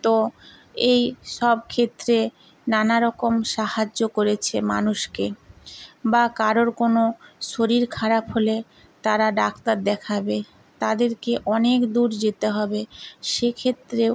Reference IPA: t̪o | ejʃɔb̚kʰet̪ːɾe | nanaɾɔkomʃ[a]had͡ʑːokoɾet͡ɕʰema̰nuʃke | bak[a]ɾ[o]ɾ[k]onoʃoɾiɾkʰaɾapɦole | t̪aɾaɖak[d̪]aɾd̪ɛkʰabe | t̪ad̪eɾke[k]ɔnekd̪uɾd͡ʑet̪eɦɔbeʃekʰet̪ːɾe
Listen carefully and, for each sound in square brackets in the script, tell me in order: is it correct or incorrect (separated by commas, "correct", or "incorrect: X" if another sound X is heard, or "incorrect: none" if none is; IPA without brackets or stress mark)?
correct, correct, correct, correct, incorrect: t̪, incorrect: ʔ